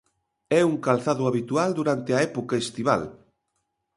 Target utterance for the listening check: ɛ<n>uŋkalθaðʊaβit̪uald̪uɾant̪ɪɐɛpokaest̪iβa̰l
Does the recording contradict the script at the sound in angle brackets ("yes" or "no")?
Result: yes